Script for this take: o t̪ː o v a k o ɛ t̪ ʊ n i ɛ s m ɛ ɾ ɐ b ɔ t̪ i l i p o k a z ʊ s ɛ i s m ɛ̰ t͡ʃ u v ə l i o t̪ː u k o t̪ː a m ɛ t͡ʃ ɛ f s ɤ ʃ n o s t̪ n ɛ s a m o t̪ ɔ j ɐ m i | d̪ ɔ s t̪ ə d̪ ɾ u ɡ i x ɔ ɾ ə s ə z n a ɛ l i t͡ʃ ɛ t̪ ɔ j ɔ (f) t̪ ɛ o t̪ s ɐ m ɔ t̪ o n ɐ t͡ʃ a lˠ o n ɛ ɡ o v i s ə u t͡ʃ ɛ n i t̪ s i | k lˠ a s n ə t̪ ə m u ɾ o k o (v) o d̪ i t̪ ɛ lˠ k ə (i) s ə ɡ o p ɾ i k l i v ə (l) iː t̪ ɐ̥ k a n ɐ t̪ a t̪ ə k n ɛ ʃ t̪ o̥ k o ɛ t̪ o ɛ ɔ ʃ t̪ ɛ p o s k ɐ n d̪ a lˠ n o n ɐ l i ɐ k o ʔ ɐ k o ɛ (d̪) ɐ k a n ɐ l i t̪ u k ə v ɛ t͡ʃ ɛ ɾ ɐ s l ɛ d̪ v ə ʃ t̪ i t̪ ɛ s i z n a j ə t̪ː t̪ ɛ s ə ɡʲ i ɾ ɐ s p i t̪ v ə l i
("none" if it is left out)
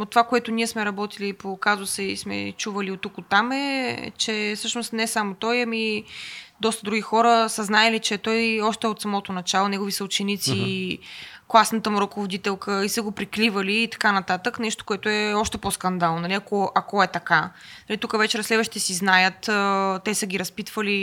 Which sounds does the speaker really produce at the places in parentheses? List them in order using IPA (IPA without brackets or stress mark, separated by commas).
ʃ, v, i, l, t̪